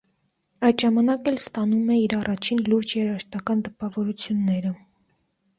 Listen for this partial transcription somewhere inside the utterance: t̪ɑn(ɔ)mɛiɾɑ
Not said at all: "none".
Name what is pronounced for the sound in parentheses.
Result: u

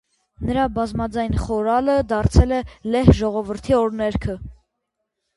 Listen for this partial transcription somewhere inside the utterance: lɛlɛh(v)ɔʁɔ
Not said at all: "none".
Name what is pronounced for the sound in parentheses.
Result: ʒ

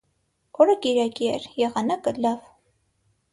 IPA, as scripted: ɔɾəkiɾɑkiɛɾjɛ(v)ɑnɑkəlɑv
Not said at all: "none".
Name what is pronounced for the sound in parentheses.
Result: ʁ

